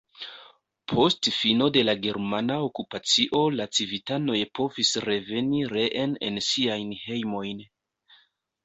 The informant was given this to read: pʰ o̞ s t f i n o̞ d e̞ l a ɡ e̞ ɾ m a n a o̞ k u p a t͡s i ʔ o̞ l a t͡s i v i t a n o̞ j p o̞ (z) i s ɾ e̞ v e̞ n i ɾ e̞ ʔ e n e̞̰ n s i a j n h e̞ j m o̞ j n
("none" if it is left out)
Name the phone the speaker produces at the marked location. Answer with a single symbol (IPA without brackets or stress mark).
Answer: v